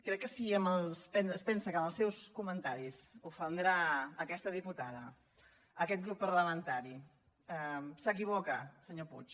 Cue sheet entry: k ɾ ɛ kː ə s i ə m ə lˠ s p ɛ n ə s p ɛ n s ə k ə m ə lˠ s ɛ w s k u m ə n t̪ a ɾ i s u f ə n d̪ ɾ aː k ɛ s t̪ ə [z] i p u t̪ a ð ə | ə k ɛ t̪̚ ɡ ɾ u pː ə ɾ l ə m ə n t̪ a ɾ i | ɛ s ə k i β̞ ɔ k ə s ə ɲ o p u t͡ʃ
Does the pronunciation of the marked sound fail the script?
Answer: yes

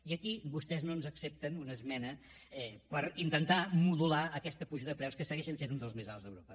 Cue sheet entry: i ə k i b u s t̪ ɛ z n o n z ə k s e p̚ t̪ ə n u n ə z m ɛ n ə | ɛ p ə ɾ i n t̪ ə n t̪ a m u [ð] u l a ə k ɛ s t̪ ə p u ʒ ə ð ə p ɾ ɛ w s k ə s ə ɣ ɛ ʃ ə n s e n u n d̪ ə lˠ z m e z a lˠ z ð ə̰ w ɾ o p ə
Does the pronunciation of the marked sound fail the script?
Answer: no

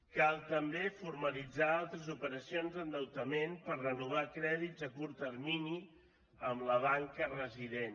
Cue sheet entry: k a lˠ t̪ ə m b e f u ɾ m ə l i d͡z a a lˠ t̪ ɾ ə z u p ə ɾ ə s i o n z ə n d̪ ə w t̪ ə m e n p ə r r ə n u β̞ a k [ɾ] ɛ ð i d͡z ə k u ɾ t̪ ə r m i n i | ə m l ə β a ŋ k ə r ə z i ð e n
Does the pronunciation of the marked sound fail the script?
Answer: no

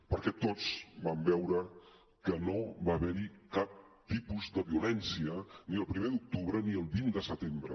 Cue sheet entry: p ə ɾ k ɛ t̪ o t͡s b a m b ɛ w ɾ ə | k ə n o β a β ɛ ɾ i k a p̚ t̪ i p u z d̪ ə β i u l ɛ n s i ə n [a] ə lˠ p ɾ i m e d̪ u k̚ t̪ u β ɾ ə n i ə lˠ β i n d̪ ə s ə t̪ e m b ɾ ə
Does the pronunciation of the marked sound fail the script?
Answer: yes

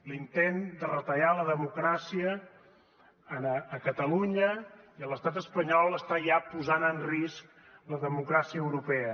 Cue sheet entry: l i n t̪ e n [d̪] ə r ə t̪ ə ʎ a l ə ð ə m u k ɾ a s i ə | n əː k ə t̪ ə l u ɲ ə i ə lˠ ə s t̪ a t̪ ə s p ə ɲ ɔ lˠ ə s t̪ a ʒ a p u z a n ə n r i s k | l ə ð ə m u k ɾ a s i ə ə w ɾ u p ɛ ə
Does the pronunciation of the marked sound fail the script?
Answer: no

